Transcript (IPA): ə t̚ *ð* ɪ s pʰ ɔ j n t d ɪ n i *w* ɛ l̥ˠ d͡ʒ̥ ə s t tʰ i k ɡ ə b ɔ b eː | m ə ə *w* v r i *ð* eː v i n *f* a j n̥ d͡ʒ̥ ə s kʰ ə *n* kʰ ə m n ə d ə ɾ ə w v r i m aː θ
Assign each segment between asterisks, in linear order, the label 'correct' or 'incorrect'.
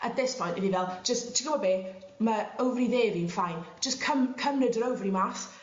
correct, incorrect, correct, correct, correct, incorrect

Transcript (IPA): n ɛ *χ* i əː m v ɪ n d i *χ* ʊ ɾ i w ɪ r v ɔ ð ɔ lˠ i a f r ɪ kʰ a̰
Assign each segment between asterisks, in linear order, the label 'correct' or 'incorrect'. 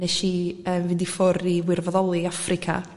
incorrect, incorrect

